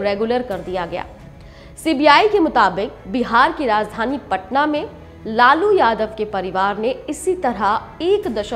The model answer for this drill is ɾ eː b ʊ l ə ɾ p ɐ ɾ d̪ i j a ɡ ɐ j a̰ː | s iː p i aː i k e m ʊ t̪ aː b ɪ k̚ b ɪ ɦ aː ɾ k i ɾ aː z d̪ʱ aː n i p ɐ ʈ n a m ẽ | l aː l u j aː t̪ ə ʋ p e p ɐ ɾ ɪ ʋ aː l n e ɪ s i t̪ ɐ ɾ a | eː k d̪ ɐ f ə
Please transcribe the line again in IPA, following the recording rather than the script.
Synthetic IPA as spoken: ɾ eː ɡ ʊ l ə ɾ k ɐ ɾ d̪ i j a ɡ ɐ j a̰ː | s iː b i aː i k e m ʊ t̪ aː b ɪ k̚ b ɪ ɦ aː ɾ k i ɾ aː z d̪ʱ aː n i p ɐ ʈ n a m ẽ | l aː l u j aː d̪ ə ʋ k e p ɐ ɾ ɪ ʋ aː ɾ n e ɪ s i t̪ ɐ ɾ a | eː k d̪ ɐ ʃ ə